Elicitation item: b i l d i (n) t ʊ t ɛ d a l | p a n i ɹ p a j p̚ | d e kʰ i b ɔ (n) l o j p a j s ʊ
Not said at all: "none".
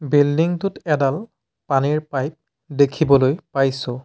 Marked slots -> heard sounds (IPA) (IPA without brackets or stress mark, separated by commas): ŋ, none